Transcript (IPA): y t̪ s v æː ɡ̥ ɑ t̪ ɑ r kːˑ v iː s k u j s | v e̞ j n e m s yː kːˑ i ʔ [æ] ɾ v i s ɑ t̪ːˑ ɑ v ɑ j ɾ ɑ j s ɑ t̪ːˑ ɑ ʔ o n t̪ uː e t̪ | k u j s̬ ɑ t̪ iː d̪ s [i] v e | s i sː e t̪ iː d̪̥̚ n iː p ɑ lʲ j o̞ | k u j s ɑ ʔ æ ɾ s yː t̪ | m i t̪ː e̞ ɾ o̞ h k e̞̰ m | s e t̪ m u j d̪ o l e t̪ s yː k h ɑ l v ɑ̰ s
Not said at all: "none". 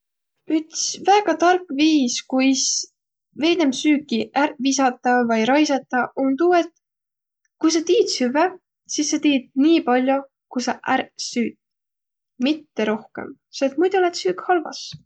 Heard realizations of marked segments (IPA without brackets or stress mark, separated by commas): æ, y